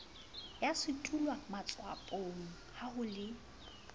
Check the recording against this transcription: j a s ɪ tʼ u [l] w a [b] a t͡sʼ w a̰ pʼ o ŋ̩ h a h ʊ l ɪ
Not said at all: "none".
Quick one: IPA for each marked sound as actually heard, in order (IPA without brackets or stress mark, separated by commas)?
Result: l, m